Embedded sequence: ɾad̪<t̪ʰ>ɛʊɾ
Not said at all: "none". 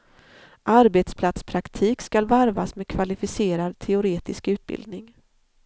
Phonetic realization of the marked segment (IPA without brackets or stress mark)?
t̪ʰ